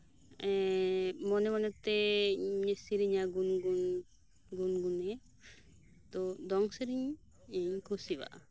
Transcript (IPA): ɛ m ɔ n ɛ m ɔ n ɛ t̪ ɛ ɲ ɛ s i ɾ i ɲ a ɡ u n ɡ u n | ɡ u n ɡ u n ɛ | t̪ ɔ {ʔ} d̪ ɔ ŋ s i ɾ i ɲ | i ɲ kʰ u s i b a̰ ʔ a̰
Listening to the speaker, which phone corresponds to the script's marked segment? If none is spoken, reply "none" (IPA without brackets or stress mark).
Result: none